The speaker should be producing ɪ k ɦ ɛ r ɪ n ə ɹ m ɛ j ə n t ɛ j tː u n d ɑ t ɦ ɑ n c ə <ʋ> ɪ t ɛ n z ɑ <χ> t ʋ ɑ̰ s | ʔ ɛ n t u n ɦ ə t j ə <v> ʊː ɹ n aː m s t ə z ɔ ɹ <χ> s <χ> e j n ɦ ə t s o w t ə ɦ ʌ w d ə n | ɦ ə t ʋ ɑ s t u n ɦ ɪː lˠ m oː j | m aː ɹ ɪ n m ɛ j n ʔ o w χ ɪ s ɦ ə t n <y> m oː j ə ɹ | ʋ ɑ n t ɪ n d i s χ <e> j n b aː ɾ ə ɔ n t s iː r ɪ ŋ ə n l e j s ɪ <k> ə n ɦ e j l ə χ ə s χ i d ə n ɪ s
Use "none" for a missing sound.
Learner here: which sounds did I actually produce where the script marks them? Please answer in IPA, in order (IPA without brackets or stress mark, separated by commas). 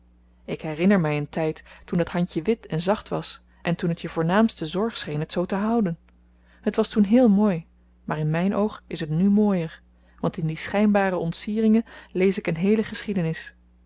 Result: ʋ, χ, v, χ, χ, y, ɛ, k